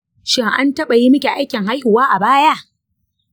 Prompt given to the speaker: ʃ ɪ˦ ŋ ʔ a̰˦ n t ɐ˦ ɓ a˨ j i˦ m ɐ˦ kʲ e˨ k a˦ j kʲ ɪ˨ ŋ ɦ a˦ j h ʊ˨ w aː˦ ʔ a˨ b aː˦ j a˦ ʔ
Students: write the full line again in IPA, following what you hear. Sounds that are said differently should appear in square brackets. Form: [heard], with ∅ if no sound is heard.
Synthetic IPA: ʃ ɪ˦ ŋ ʔ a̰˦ n t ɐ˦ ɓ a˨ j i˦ m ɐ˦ kʲ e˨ [ʔ] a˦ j kʲ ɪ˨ ŋ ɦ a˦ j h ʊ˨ w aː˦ ʔ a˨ b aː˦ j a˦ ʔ